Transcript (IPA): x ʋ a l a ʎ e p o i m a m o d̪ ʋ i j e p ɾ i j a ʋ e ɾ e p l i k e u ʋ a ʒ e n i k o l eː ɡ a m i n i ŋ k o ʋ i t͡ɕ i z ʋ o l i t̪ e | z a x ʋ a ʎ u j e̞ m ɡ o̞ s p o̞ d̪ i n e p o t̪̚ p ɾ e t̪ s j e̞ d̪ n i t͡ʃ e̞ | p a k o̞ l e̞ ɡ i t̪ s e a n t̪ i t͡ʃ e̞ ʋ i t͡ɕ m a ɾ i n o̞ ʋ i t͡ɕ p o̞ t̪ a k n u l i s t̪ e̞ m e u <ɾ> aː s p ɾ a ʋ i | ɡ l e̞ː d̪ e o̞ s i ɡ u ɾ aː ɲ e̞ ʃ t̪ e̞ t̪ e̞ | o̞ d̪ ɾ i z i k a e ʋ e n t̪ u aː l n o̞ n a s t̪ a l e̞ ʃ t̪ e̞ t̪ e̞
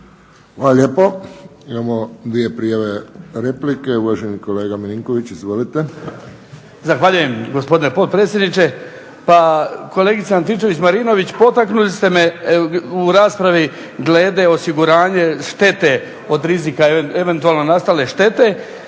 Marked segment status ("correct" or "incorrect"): correct